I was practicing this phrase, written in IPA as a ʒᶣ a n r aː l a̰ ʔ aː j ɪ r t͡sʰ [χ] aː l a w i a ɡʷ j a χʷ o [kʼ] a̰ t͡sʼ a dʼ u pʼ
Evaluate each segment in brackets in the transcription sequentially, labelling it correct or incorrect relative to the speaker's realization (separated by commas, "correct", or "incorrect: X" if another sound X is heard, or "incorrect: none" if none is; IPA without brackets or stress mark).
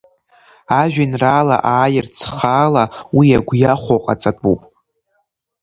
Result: correct, incorrect: qʼ